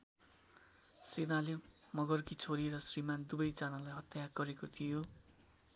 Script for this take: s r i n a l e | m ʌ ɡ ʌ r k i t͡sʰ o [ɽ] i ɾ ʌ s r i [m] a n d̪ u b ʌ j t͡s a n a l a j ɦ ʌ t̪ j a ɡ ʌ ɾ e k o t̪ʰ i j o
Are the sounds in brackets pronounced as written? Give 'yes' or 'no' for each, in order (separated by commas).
no, yes